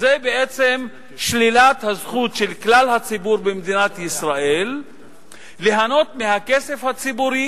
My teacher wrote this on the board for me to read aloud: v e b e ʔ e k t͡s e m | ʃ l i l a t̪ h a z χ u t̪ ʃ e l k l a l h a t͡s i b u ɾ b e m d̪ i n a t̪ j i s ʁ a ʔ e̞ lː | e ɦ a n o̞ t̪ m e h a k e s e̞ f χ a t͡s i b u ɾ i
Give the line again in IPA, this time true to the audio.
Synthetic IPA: z e b e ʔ e t͡s e m | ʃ l i l a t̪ h a z χ u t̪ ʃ e l k l a l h a t͡s i b u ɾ b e m d̪ i n a t̪ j i s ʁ a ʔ e̞ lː | e ɦ a n o̞ t̪ m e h a k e s e̞ f h a t͡s i b u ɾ i